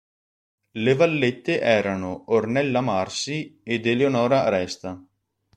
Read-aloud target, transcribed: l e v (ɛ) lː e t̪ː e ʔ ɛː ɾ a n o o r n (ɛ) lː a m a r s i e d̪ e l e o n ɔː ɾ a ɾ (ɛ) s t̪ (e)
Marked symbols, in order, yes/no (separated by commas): no, yes, yes, no